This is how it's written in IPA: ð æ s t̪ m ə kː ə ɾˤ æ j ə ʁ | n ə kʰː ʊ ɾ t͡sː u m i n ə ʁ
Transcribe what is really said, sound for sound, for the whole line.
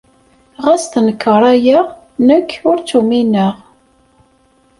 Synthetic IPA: ʁ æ s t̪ n ə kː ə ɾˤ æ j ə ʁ | n ə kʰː ʊ ɾ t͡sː u m i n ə ʁ